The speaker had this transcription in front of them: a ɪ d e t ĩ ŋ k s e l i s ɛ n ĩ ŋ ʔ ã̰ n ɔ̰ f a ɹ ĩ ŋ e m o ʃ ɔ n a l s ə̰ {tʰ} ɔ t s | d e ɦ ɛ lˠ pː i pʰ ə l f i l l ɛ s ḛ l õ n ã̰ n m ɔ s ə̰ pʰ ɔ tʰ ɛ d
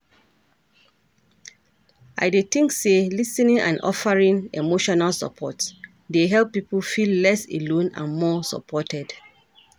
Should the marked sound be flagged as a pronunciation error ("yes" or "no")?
yes